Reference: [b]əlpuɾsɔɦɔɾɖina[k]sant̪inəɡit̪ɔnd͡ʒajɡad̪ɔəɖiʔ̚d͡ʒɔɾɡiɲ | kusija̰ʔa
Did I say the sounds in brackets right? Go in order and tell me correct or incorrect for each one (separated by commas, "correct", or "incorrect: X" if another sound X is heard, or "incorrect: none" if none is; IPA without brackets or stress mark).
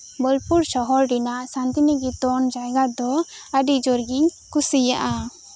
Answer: correct, incorrect: ʔ